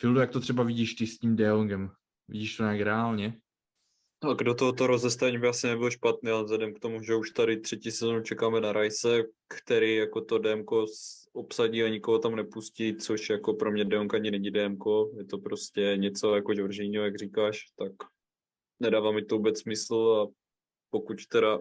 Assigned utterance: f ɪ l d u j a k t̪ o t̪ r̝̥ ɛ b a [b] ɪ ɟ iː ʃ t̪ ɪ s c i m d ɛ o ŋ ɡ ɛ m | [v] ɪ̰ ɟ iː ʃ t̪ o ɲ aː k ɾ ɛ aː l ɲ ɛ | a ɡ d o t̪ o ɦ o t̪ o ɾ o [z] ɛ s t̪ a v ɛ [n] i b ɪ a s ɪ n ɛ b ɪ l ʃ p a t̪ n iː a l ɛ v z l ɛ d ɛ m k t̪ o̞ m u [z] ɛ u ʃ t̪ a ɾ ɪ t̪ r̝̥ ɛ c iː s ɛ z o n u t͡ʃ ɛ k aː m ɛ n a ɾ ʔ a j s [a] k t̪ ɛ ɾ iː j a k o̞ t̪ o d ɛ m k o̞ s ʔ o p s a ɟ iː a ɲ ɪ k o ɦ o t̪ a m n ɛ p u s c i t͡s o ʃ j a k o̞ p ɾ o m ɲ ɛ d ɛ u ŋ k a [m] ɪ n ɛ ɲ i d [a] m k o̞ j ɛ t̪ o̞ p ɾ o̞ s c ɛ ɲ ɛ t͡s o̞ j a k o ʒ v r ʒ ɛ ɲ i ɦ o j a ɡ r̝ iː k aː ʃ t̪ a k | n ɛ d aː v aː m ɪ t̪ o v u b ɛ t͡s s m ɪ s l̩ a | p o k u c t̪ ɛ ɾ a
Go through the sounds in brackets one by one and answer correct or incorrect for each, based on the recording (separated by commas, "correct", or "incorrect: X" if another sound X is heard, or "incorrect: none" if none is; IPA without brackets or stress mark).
incorrect: v, correct, correct, incorrect: ɲ, incorrect: ʒ, incorrect: ɛ, incorrect: ɲ, incorrect: ɛ